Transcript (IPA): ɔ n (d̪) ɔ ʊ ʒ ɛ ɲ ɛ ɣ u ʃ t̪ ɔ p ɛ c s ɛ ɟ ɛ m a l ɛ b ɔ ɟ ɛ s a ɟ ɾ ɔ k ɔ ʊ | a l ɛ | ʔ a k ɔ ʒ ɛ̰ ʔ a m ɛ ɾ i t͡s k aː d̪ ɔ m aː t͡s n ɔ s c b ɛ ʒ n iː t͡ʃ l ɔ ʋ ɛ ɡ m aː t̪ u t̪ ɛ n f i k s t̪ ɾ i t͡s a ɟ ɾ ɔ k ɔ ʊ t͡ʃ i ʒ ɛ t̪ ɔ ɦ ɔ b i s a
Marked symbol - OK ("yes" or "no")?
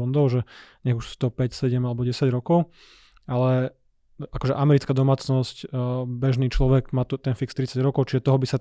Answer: yes